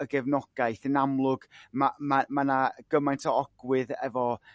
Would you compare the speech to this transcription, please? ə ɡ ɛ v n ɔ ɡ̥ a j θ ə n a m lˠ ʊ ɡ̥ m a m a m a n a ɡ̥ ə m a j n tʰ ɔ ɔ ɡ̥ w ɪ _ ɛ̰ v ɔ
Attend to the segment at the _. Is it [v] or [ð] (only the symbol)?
ð